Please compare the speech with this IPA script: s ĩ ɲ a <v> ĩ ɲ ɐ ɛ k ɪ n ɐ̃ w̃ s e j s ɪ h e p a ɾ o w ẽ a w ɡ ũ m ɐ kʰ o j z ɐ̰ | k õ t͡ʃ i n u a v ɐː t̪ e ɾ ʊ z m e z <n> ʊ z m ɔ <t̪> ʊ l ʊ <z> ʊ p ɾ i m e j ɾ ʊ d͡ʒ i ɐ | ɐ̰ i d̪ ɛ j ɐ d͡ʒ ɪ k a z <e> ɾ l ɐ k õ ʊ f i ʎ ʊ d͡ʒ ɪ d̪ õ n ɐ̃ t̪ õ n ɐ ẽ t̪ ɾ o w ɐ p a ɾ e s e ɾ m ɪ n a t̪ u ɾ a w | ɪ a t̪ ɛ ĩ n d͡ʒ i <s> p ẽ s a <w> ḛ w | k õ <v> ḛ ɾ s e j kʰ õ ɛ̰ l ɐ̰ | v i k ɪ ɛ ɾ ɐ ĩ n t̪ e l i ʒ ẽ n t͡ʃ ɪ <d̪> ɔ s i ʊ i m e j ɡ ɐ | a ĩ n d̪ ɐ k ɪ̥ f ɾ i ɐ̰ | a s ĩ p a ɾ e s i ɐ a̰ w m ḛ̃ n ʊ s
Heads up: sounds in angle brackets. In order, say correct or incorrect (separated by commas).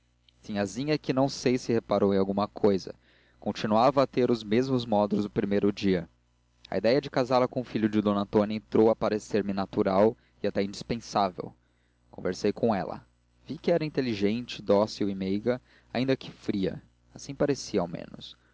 incorrect, incorrect, incorrect, correct, incorrect, correct, incorrect, correct, correct